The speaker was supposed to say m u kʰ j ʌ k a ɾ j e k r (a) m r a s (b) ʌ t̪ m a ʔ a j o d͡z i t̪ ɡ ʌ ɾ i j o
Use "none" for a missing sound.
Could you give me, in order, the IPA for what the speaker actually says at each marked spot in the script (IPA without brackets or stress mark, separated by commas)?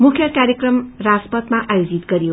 ʌ, p